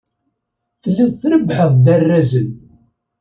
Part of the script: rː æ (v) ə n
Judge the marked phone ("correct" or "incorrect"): incorrect